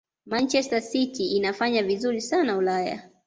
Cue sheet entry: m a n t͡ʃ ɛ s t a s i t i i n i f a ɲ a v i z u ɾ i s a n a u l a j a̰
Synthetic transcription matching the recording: m a n t͡ʃ ɛ s t a s i t i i n a f a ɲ a v i z u ɾ i s a n a u l a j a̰